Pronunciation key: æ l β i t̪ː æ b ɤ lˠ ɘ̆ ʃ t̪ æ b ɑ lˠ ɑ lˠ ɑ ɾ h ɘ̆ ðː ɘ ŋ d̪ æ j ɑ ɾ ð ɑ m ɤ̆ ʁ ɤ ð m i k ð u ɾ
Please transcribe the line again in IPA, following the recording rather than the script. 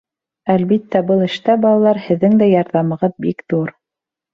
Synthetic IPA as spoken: æ l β i t̪ː æ b ɤ lˠ ɘ̆ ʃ t̪ æ b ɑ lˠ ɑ lˠ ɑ ɾ h ɘ̆ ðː ɘ ŋ d̪ æ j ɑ ɾ ð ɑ m ɤ̆ ʁ ɤ ð b i k ð u ɾ